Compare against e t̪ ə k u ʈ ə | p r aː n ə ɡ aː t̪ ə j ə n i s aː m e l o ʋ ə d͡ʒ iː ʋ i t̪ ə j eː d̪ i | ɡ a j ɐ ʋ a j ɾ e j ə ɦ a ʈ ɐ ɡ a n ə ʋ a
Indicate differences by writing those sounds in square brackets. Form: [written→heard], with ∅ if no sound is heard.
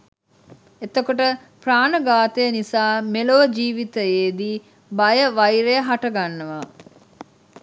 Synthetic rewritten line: e t̪ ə k [u→o] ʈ ə | p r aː n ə ɡ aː t̪ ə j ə n i s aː m e l o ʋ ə d͡ʒ iː ʋ i t̪ ə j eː d̪ i | [ɡ→b] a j [ɐ→ə] ʋ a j ɾ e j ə ɦ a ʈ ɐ ɡ a [n→nː] ə ʋ a